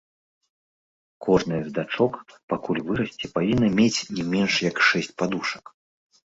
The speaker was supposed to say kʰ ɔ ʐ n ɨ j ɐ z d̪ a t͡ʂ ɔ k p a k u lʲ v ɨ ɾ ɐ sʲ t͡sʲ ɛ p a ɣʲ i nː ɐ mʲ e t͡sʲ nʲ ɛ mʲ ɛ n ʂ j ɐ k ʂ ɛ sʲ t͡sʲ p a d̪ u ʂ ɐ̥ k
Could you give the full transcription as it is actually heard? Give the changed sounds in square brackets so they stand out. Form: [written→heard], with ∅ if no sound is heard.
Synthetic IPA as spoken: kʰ ɔ ʐ n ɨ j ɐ z d̪ a t͡ʂ ɔ k p a k u lʲ v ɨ ɾ ɐ sʲ t͡sʲ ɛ p a [ɣʲ→vʲ] i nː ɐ mʲ e t͡sʲ nʲ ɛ mʲ ɛ n ʂ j ɐ k ʂ ɛ sʲ t͡sʲ p a d̪ u ʂ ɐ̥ k